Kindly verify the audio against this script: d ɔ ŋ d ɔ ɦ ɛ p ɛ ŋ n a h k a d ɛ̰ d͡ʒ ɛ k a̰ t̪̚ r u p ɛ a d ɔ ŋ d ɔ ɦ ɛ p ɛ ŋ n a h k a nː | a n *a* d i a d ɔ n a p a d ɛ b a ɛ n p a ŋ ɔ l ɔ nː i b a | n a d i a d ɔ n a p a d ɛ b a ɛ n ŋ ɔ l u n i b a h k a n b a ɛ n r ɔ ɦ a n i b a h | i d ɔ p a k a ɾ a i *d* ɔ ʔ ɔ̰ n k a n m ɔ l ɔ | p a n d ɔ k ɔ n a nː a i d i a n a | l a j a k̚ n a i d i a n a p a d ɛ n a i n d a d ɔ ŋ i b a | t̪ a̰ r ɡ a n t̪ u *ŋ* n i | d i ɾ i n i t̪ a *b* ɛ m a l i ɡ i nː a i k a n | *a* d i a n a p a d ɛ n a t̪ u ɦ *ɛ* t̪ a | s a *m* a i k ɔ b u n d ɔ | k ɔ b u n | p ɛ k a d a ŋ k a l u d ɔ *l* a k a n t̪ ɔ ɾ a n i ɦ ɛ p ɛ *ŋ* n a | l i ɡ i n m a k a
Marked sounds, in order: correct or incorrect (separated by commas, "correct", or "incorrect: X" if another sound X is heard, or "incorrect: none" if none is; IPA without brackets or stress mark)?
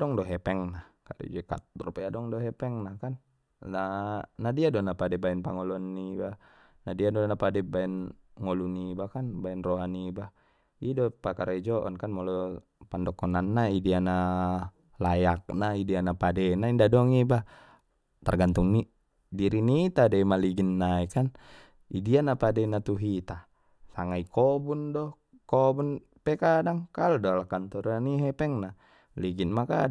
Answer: correct, incorrect: d͡ʒ, correct, incorrect: d, incorrect: i, incorrect: i, incorrect: ŋ, correct, correct